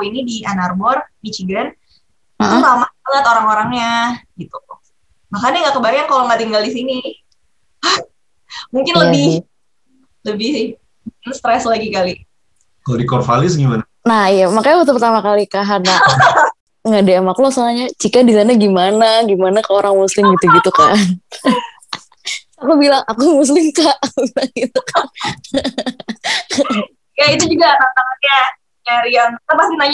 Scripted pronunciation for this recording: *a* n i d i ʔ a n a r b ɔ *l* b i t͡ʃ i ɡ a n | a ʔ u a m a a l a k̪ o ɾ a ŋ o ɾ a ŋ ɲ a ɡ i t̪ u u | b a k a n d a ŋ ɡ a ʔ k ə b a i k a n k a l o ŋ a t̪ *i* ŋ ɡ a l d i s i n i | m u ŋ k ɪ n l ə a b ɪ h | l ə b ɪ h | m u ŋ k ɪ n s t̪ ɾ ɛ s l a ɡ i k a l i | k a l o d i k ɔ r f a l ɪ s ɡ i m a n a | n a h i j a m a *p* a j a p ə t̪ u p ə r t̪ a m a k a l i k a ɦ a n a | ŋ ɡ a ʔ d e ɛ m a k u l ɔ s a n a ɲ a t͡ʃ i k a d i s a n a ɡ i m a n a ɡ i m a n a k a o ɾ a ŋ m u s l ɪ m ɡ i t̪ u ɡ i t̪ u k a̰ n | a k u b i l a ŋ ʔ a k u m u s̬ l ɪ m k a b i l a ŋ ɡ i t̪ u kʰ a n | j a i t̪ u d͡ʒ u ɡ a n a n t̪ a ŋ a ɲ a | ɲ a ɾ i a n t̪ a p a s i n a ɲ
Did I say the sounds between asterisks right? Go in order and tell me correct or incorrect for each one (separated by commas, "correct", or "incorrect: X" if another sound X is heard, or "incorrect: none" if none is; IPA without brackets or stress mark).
incorrect: i, incorrect: r, correct, incorrect: k